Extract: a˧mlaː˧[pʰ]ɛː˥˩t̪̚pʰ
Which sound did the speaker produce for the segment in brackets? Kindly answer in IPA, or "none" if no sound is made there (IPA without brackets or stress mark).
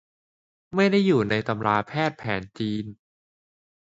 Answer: pʰ